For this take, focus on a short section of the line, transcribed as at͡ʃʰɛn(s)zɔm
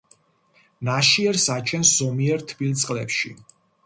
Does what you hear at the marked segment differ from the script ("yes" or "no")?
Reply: no